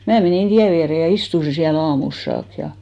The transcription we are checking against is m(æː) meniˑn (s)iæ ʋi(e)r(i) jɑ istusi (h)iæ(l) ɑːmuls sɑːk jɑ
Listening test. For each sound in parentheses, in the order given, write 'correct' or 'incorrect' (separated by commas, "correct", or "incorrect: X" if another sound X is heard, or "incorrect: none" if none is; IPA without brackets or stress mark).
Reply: correct, incorrect: t, incorrect: æ, incorrect: e, incorrect: s, correct